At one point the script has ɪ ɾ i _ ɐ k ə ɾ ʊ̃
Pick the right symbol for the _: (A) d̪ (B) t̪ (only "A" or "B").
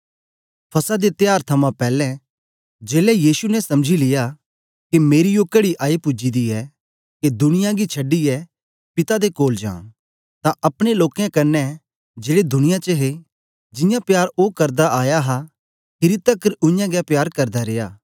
B